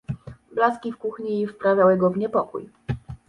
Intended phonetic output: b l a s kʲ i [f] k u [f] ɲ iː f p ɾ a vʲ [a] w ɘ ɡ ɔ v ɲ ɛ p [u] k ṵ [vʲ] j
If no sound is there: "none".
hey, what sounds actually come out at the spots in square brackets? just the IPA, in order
f, x, a, ɔ, none

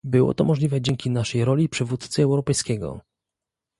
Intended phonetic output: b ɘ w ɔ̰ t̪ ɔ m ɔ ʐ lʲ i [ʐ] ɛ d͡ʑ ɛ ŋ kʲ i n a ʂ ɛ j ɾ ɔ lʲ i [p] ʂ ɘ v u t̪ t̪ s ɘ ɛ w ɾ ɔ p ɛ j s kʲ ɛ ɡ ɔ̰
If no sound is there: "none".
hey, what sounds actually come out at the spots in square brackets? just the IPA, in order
v, p

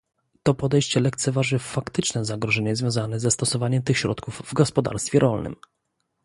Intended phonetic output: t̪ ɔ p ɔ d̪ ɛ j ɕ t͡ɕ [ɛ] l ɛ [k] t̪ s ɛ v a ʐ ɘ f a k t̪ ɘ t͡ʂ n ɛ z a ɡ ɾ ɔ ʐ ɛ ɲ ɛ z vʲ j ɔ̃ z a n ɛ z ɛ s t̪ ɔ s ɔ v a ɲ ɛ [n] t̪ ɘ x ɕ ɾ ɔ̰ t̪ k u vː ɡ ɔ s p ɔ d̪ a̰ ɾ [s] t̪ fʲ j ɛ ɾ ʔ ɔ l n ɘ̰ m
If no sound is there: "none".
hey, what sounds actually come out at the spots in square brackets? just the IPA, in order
ɛ, k, m, s

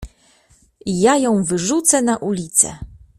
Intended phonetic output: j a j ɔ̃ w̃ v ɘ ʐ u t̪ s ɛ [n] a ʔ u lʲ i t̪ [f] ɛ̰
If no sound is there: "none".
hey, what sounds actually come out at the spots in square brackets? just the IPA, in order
n, s

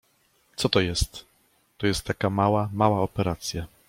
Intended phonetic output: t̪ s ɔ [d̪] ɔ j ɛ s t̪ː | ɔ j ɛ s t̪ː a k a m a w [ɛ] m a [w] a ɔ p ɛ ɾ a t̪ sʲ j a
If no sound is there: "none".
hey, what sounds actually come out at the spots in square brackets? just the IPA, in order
t̪, a, w

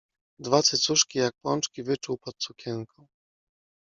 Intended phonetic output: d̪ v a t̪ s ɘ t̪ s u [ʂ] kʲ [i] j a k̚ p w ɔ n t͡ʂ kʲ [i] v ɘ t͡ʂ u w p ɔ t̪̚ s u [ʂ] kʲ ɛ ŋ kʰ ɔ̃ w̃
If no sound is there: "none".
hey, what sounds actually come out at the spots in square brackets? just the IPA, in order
ʂ, i, i, none

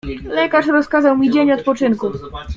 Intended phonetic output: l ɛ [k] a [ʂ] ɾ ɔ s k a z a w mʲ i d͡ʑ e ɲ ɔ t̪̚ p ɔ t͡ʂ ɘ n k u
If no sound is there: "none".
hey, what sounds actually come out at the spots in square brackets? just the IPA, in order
k, ʂ

